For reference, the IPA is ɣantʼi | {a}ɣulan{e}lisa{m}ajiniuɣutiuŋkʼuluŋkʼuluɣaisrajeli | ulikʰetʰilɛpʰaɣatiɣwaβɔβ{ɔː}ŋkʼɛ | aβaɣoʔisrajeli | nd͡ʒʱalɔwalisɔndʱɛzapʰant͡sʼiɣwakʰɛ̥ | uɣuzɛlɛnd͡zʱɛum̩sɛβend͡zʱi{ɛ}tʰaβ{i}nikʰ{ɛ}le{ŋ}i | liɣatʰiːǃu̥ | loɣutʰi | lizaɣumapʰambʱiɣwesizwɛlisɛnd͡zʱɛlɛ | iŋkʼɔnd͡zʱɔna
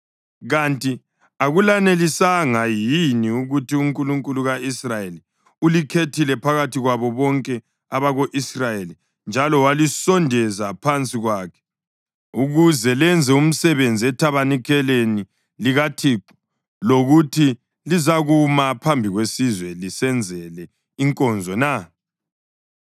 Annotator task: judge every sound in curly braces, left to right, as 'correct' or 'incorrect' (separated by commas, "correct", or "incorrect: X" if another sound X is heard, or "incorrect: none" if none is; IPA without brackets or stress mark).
correct, correct, incorrect: ŋ, incorrect: ɔ, correct, incorrect: a, correct, incorrect: n